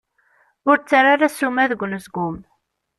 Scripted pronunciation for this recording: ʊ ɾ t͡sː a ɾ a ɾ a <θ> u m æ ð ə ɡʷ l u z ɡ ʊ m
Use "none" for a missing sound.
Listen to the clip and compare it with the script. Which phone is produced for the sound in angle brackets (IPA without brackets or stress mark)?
s